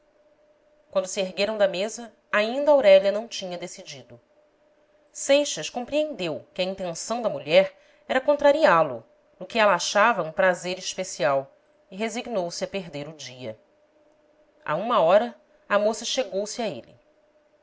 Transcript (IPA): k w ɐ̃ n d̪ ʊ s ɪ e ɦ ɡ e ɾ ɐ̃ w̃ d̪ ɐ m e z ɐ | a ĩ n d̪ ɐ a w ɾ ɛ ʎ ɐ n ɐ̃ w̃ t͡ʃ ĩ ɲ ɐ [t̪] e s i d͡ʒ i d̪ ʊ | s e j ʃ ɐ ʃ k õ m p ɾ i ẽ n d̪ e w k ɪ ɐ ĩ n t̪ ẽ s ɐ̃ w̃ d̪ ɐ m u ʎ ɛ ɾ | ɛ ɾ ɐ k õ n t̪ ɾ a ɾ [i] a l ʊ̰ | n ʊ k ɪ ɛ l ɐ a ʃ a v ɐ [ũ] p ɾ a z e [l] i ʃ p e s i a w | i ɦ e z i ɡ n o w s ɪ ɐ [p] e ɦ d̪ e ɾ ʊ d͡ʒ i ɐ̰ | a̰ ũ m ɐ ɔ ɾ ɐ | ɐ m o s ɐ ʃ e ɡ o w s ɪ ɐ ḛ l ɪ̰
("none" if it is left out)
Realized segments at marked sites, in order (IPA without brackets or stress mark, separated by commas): d̪, i, ũ, ɾ, p